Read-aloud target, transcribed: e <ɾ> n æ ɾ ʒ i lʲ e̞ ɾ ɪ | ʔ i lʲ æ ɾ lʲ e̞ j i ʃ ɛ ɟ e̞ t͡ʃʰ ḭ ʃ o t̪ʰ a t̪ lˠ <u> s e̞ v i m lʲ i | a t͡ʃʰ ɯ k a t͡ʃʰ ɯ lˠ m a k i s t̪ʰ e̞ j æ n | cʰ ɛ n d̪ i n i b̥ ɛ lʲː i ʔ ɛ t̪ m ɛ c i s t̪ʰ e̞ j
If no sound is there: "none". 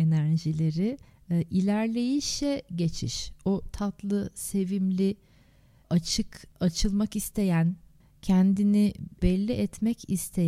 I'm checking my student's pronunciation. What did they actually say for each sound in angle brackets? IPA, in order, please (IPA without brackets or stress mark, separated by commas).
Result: none, ɯ